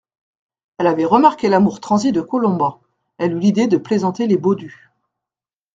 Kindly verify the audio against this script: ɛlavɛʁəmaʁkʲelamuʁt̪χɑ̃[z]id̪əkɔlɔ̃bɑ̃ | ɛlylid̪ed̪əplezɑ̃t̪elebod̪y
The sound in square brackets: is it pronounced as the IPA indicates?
yes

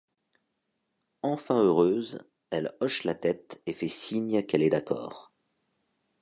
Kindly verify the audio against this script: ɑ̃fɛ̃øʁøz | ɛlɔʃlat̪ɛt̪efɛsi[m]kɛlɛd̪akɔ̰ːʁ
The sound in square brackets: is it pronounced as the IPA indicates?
no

